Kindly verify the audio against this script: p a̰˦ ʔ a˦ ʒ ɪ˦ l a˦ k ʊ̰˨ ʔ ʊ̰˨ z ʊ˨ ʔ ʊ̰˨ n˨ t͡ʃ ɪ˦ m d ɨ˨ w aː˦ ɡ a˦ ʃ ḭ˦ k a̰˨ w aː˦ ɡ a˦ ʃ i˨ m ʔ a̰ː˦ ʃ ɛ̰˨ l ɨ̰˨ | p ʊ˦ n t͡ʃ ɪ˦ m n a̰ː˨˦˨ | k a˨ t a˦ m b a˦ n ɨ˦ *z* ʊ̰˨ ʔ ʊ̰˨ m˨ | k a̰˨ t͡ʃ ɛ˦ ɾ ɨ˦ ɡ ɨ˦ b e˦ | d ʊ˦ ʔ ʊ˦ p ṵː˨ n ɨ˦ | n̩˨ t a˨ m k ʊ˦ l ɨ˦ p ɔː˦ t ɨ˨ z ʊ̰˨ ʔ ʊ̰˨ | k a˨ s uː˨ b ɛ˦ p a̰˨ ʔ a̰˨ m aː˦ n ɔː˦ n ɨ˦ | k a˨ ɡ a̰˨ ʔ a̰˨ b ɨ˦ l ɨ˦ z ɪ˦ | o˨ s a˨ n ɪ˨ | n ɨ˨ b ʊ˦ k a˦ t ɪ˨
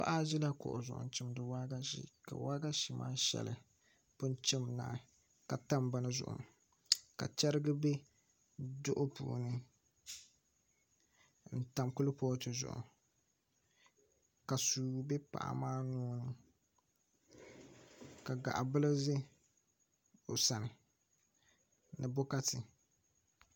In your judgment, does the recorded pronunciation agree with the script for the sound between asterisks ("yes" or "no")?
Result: yes